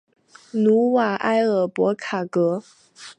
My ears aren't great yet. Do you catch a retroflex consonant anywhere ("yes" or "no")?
no